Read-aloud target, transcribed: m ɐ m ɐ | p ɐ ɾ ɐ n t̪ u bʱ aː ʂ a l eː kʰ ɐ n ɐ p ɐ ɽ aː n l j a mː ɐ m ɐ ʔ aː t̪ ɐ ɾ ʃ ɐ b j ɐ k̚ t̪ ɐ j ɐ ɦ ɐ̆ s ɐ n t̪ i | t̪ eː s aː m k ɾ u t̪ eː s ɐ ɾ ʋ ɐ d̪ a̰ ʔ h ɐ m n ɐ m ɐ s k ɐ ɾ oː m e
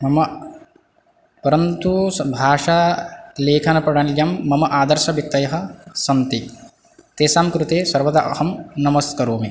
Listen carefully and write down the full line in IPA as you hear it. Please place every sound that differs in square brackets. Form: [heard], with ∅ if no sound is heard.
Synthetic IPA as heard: m ɐ m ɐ | p ɐ ɾ ɐ n t̪ u bʱ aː ʂ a l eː kʰ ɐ n ɐ p ɐ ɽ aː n l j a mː ɐ m ɐ ʔ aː [d̪] ɐ ɾ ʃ ɐ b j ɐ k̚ t̪ ɐ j ɐ ɦ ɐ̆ s ɐ n t̪ i | t̪ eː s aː m k ɾ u t̪ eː s ɐ ɾ ʋ ɐ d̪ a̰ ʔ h ɐ m n ɐ m ɐ s k ɐ ɾ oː m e